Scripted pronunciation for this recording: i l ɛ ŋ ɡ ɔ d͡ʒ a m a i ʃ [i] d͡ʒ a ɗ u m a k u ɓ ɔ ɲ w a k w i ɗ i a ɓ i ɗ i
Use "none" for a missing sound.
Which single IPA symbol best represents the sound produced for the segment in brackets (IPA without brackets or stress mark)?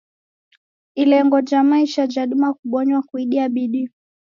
a